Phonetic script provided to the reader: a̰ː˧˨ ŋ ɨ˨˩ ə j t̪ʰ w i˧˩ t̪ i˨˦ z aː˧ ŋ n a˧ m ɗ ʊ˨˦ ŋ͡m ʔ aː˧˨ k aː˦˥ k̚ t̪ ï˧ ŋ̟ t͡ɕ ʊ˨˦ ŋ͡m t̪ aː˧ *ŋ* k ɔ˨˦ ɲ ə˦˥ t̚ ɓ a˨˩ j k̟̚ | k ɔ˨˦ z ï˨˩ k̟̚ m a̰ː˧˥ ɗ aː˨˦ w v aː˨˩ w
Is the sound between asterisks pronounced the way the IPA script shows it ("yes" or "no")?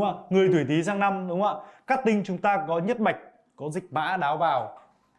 no